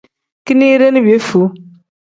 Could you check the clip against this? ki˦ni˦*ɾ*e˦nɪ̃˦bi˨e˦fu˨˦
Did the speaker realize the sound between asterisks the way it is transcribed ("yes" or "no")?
yes